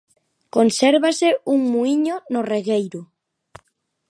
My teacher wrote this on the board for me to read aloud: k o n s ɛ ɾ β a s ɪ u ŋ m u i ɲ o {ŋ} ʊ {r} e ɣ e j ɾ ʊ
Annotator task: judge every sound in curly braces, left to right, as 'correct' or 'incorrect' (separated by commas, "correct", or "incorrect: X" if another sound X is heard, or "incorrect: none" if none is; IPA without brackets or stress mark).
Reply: incorrect: n, correct